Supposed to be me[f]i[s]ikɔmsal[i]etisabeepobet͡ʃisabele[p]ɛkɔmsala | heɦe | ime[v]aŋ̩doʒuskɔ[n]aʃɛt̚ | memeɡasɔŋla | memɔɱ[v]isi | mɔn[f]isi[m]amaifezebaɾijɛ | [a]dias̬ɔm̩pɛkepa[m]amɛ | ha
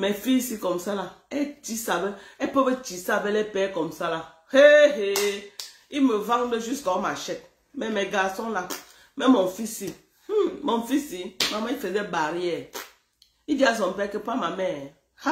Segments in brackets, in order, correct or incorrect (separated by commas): correct, correct, incorrect, correct, correct, incorrect, incorrect, correct, correct, incorrect, correct